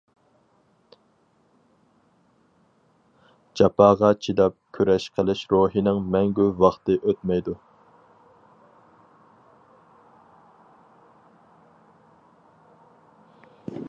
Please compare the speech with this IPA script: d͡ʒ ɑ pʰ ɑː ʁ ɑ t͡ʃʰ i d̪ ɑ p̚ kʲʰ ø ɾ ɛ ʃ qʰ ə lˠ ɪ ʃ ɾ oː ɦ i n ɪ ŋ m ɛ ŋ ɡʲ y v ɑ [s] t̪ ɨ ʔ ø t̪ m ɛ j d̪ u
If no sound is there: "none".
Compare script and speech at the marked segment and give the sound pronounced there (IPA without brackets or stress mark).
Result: χ